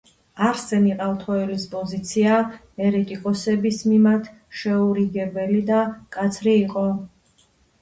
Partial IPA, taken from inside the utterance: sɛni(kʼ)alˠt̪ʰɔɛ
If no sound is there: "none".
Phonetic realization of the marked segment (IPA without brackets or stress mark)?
qʼ